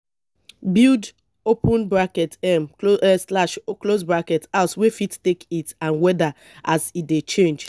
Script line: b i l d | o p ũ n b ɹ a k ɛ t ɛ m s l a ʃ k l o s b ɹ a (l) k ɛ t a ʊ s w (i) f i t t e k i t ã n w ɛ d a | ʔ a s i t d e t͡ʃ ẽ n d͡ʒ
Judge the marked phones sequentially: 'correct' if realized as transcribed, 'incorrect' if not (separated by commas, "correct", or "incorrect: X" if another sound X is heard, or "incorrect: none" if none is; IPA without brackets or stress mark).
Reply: incorrect: none, incorrect: e